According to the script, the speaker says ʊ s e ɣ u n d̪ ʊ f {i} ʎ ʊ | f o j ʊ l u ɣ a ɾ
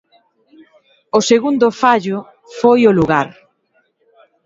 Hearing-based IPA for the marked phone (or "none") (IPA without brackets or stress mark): a